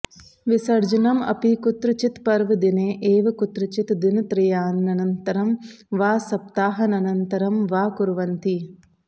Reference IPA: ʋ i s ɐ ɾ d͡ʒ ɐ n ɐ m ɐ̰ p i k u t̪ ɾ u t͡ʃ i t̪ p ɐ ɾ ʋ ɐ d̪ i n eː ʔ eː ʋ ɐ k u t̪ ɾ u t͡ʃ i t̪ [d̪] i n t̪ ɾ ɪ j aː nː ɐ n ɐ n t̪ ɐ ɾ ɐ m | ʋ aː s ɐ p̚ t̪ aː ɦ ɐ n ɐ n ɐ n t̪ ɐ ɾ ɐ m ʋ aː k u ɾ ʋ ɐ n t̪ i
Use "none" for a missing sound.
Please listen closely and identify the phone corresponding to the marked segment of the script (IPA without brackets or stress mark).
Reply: d̪